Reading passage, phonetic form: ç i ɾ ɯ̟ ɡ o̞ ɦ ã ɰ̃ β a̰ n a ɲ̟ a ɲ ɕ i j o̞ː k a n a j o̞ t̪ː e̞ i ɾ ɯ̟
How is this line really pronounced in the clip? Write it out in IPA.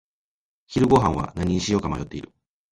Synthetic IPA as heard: ç i ɾ ɯ̟ ɡ o̞ ɦ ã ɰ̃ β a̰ n a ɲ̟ i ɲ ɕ i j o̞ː k a m a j o̞ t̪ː e̞ i ɾ ɯ̟